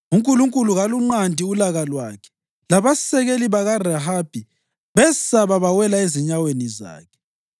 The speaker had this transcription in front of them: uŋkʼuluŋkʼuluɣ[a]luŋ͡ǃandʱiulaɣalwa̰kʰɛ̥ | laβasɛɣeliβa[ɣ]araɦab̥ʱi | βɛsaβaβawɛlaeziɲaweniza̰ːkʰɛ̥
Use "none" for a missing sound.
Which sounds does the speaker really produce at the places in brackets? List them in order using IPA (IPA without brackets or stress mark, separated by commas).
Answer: a, ɣ